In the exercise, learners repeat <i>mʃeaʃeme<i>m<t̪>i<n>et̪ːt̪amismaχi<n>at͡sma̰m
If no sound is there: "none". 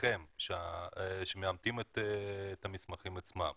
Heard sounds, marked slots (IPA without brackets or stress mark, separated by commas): e, a, t̪, m, m